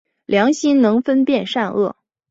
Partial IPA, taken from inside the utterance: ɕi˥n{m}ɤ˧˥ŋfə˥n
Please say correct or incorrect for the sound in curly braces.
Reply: incorrect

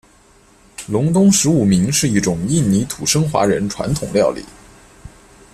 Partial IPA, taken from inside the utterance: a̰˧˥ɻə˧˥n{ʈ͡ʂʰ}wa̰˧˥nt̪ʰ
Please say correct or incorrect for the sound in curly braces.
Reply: correct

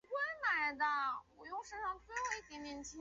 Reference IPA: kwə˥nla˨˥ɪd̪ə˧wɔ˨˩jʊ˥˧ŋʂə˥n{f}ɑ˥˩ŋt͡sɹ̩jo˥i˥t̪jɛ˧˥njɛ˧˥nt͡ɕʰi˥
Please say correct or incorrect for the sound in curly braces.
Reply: incorrect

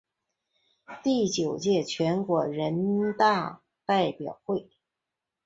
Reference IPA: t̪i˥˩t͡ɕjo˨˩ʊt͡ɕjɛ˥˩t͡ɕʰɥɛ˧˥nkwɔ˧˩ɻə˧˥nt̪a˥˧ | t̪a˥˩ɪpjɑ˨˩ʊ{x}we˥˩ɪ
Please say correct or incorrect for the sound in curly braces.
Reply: correct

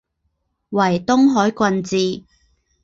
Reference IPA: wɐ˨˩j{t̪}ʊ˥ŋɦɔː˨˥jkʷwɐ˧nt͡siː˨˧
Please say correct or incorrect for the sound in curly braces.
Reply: correct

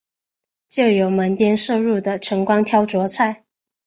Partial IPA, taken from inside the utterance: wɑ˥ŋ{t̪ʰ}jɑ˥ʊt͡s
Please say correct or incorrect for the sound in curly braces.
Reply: correct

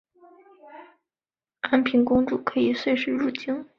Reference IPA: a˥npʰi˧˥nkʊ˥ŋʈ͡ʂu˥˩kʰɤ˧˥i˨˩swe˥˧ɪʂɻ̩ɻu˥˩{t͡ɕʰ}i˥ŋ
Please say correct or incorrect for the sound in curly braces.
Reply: incorrect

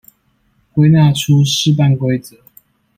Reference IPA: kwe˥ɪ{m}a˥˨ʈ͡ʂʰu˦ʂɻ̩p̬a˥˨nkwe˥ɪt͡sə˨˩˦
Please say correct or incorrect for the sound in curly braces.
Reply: incorrect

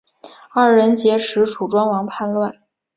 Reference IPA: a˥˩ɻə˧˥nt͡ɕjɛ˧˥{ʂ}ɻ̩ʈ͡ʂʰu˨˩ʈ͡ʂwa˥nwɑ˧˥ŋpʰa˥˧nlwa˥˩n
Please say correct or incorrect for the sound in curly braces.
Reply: correct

